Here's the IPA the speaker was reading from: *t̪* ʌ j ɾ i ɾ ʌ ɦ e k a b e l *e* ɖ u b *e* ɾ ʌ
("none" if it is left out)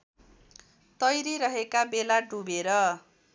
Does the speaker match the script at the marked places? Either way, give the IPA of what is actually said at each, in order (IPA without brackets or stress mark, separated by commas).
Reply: t̪, a, e